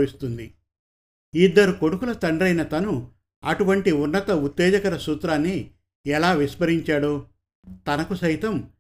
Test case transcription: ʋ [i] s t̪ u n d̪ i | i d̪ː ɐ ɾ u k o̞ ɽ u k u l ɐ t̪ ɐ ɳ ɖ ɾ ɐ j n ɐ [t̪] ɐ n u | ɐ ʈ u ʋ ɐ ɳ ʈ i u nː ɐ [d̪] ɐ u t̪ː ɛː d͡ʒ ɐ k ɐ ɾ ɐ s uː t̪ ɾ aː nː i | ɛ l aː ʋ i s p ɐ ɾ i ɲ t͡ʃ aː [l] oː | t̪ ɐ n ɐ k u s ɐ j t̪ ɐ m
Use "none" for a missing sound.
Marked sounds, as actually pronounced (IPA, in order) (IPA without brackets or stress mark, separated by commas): i, t̪, t̪, ɽ